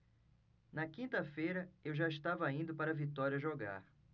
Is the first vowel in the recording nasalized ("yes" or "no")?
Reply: no